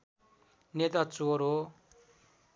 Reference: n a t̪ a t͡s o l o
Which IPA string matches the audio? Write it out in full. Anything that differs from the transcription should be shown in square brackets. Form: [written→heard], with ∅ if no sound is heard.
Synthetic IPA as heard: n [a→e] t̪ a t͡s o [l→ɾ] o